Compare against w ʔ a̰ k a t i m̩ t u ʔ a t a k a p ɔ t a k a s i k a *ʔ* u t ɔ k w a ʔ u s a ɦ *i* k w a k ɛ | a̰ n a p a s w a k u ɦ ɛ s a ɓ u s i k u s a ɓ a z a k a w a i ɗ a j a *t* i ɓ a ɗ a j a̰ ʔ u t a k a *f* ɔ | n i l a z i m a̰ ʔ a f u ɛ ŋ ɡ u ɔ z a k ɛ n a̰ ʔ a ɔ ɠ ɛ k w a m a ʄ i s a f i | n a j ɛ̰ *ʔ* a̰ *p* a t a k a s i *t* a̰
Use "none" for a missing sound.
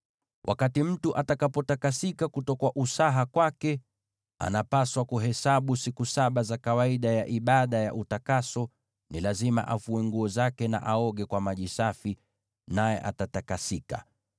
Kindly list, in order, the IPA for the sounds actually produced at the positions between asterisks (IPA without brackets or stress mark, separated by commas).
k, a, ʔ, s, ʔ, t, k